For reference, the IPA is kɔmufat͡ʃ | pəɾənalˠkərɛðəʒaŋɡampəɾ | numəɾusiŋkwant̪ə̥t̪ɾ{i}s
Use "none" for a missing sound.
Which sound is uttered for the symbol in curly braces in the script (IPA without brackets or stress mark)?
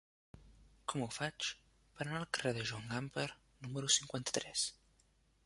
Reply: ɛ